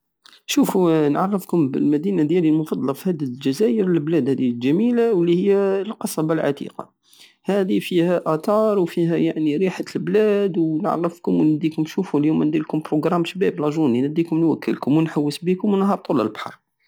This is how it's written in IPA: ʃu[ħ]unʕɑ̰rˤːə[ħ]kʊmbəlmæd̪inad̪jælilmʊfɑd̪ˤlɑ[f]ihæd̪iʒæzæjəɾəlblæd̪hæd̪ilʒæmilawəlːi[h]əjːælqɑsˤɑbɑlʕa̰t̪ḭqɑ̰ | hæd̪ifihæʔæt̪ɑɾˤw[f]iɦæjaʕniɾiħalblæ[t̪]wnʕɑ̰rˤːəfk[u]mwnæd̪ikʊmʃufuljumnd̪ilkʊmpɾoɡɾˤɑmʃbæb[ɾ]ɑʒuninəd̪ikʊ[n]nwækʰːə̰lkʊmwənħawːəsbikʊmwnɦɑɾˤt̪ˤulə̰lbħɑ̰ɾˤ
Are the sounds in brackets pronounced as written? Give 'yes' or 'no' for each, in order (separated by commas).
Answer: no, no, yes, yes, yes, no, no, no, no